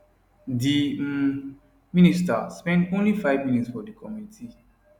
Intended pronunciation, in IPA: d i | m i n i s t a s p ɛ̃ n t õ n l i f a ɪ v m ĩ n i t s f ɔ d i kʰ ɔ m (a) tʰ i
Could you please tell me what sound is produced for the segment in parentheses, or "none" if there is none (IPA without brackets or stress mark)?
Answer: i